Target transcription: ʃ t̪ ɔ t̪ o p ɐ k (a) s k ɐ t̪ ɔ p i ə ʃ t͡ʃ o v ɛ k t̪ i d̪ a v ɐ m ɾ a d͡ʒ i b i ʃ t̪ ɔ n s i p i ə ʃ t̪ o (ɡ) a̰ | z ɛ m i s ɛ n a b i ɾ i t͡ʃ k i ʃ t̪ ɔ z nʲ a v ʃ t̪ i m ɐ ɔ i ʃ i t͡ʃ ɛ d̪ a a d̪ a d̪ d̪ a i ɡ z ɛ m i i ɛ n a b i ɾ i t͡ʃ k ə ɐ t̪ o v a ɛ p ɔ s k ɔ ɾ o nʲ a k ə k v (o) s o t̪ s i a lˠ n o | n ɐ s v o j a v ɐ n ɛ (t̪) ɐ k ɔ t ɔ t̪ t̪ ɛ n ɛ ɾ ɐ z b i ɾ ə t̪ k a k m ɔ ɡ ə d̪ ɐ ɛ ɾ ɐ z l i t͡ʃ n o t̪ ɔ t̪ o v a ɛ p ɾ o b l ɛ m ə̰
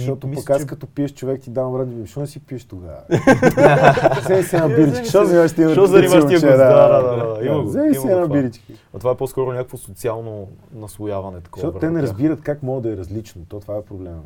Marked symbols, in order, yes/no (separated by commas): yes, yes, yes, yes